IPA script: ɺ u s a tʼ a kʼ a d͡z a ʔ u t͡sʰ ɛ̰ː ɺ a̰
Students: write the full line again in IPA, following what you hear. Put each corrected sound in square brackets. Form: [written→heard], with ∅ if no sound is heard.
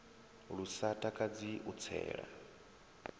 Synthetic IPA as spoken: ɺ u s a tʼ a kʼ a d͡z [a→i] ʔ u t͡sʰ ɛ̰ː ɺ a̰